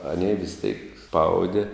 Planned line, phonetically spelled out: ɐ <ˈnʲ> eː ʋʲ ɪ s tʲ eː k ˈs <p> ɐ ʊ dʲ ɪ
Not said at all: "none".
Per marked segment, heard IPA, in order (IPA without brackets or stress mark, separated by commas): nʲ, p